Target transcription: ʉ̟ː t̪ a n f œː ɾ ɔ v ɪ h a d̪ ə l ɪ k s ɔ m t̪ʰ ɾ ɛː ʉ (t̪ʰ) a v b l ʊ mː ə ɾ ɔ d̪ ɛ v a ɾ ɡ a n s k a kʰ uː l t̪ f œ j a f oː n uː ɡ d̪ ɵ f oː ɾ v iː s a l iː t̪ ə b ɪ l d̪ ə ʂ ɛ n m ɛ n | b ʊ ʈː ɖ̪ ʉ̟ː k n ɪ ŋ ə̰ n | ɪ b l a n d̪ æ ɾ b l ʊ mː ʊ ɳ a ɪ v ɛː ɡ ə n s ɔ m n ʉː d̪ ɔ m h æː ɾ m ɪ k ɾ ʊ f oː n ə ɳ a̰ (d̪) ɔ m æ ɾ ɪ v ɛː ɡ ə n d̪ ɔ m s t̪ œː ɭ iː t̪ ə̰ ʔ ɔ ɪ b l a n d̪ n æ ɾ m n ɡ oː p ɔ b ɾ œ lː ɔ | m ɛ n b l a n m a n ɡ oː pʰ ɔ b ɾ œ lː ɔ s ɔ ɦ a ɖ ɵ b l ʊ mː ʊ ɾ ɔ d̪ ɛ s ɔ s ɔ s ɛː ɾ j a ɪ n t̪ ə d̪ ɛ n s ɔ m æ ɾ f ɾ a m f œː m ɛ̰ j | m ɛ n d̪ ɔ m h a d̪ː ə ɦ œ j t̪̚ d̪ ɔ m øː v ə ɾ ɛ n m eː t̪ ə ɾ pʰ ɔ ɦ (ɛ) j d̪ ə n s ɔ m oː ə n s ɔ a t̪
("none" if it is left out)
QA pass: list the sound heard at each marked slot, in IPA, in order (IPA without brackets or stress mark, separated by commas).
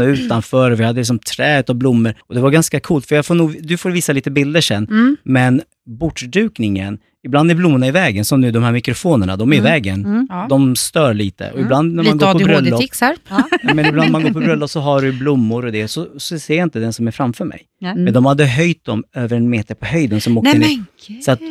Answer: t̪, d̪, œ